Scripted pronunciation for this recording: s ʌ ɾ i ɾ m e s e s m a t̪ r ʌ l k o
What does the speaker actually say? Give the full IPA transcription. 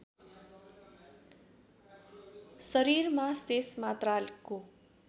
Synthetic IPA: s ʌ ɾ i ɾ m a s e s m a t̪ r a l k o